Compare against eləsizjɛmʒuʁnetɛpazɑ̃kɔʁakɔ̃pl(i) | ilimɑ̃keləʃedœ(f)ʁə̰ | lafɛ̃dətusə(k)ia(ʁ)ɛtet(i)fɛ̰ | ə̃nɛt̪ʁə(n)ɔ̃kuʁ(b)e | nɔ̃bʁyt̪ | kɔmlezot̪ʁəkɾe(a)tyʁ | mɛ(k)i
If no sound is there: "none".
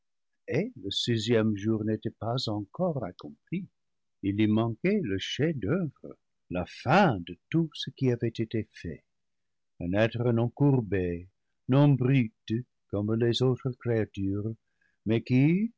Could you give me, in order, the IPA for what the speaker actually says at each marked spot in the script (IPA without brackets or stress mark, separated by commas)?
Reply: i, v, k, v, e, n, b, a, k